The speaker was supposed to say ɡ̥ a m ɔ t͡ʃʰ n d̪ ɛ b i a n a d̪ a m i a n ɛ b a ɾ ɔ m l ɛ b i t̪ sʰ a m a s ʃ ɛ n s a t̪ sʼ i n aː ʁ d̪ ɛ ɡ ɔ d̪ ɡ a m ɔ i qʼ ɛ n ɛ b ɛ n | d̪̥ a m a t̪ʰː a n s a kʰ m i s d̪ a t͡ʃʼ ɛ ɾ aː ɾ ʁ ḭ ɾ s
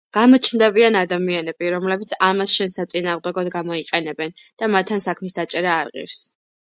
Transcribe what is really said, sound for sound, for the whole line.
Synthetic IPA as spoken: ɡ̥ a m ɔ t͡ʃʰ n d̪ ɛ b i a n a d̪ a m i a n ɛ b i ɾ ɔ m l ɛ b i t̪ sʰ a m a s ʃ ɛ n s a t̪ sʼ i n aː ʁ d̪ ɛ ɡ ɔ d̪ ɡ a m ɔ i qʼ ɛ n ɛ b ɛ n | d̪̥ a m a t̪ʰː a n s a kʰ m i s d̪ a t͡ʃʼ ɛ ɾ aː ɾ ʁ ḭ ɾ s